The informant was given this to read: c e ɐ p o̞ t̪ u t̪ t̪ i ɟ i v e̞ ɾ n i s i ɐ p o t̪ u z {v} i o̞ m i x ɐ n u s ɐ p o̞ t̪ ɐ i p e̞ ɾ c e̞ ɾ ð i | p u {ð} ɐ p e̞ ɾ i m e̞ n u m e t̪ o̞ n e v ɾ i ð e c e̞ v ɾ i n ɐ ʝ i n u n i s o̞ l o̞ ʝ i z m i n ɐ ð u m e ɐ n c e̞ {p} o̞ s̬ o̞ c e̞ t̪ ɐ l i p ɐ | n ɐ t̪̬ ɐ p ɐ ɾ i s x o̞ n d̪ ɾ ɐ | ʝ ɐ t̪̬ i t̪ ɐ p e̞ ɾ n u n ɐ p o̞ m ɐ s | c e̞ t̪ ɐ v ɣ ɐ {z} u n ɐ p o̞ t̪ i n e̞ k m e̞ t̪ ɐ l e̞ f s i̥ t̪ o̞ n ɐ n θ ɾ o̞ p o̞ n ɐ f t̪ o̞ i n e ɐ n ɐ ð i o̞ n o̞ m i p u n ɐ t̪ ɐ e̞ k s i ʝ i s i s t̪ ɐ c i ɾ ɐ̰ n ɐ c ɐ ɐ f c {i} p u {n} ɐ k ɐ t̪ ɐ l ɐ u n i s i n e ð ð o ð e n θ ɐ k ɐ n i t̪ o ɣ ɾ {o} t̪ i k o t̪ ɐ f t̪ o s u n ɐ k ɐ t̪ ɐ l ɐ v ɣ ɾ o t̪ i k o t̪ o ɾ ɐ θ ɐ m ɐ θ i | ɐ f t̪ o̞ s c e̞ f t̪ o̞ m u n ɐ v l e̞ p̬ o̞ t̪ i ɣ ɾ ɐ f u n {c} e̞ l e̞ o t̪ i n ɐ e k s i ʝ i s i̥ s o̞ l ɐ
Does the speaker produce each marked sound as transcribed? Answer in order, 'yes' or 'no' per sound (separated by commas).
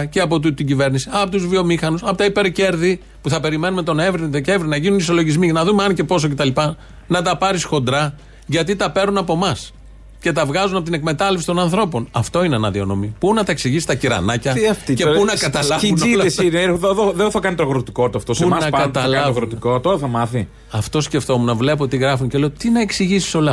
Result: yes, no, yes, yes, no, yes, yes, yes